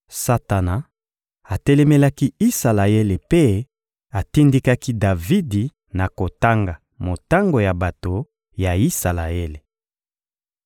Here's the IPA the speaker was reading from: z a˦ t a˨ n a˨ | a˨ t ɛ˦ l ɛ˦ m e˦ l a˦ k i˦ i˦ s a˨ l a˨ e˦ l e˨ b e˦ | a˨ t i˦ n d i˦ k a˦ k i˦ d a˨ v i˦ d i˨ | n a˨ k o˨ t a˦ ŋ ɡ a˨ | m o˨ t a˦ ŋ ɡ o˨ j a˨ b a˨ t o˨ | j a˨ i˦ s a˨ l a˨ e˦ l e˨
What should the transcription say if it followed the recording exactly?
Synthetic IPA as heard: s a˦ t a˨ n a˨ | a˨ t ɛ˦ l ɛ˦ m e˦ l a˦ k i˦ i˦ s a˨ l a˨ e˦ l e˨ p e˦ | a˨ t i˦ n d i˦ k a˦ k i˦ d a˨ v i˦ d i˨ | n a˨ k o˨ t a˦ ŋ ɡ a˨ | m o˨ t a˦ ŋ ɡ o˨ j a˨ b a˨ t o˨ | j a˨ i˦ s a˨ l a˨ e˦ l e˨

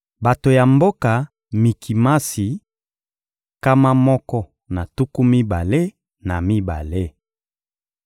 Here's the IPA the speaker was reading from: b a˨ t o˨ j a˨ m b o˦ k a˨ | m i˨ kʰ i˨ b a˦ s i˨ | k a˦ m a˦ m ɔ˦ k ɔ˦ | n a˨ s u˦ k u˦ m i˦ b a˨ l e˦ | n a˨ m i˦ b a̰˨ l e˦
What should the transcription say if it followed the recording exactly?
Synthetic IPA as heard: b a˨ t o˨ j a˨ m b o˦ k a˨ | m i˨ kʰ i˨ m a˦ s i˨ | k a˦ m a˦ m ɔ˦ k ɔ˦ | n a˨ t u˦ k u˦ m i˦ b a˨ l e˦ | n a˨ m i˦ b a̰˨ l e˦

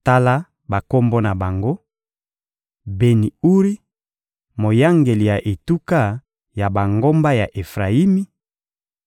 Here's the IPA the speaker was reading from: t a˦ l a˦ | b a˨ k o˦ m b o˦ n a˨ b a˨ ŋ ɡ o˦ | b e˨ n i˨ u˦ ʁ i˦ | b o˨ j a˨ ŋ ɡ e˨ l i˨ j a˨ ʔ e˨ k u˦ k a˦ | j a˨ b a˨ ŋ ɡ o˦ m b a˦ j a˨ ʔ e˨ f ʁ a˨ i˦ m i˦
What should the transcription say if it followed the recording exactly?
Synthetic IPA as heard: t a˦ l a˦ | b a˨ k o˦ m b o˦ n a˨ b a˨ ŋ ɡ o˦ | b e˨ n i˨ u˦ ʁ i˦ | m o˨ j a˦ ŋ ɡ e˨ l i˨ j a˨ ʔ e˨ t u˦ k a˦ | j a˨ b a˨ ŋ ɡ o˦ m b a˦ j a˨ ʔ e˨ f ʁ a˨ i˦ m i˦

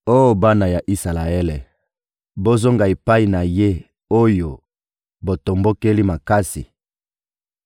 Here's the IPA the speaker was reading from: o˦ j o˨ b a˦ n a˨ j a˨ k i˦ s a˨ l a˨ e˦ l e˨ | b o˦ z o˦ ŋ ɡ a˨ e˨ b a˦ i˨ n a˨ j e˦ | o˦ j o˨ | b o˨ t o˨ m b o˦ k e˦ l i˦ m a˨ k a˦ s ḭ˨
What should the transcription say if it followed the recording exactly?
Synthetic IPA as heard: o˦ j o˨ b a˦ n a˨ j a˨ ʔ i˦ s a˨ l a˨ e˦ l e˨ | b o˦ z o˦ ŋ ɡ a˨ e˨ p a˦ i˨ n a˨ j e˦ | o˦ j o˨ | b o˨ t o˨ m b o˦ k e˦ l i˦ m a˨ k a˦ s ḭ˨

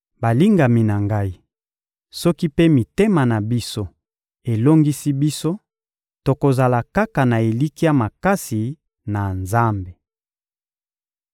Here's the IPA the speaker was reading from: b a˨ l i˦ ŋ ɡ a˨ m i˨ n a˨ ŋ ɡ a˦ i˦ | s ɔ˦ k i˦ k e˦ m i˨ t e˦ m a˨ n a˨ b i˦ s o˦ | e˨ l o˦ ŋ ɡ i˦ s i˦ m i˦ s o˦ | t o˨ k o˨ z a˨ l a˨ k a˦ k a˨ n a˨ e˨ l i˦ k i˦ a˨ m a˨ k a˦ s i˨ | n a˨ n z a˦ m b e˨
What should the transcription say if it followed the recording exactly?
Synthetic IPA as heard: b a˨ l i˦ ŋ ɡ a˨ m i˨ n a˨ ŋ ɡ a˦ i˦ | s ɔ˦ k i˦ p e˦ m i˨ t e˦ m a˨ n a˨ b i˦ s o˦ | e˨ l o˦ ŋ ɡ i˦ s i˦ b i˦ s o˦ | t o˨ k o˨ z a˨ l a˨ k a˦ k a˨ n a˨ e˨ l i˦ k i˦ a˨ m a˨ k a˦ s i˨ | n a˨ n z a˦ m b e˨

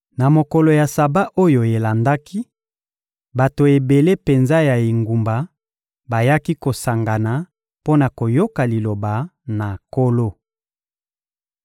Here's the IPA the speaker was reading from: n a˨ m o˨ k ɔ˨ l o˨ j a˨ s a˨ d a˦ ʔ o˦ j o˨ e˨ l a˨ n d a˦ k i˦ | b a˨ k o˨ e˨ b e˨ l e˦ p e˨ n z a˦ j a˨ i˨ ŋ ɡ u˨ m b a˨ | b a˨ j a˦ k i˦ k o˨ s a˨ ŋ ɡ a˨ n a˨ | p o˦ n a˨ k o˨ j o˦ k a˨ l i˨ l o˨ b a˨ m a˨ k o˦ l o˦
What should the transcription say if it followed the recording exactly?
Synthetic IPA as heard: n a˨ m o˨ k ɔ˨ l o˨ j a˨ s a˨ b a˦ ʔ o˦ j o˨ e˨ l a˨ n d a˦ k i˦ | b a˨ t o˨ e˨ b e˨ l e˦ p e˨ n z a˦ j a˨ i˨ ŋ ɡ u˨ m b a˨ | b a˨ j a˦ k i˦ k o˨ s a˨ ŋ ɡ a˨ n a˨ | p o˦ n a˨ k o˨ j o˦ k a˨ l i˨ l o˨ b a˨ n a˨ k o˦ l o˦

